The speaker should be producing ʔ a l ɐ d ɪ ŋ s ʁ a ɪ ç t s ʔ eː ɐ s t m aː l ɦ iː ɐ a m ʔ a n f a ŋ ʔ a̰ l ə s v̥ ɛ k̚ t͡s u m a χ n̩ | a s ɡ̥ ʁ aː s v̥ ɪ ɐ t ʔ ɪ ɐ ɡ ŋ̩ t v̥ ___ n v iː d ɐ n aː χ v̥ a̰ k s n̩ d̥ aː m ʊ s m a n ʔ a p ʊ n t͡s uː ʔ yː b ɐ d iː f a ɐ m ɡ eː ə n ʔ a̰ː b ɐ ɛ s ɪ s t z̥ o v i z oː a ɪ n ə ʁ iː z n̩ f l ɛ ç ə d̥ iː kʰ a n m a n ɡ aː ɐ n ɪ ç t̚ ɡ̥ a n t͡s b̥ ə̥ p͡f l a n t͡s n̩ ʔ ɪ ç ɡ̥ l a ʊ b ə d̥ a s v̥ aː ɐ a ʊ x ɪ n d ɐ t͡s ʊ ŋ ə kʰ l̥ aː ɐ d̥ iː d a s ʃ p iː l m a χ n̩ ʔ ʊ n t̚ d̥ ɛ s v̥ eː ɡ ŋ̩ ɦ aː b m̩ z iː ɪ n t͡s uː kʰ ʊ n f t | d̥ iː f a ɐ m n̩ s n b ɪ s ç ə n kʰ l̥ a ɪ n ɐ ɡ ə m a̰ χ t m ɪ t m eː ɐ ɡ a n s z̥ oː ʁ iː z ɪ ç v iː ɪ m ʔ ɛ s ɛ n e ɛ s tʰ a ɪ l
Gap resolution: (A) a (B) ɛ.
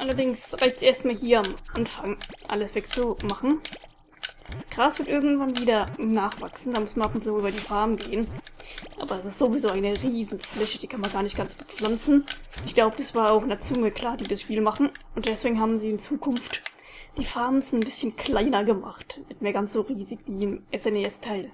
A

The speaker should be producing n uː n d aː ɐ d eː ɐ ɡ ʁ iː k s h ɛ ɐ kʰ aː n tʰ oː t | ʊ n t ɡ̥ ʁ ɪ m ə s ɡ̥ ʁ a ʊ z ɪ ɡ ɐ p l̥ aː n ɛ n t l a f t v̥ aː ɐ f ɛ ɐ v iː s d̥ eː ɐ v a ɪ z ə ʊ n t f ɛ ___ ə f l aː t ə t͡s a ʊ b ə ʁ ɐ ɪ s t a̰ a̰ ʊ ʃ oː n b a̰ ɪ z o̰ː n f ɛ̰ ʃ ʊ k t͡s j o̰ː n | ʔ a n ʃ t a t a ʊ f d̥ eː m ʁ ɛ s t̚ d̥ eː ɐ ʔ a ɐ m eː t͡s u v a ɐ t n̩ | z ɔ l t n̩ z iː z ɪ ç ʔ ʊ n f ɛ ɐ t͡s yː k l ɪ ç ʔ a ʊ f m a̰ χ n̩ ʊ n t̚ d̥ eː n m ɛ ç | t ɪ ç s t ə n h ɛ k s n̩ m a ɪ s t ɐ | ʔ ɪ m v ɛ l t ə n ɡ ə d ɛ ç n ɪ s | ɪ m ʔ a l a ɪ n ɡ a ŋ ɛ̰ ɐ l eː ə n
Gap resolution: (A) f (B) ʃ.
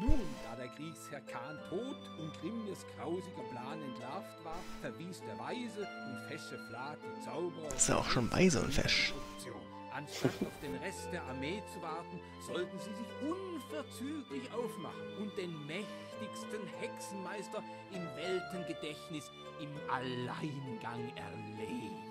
B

